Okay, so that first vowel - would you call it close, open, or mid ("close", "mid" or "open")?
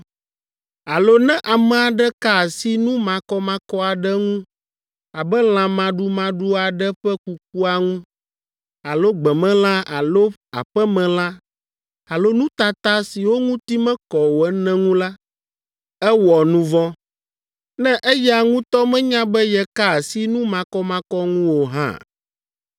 open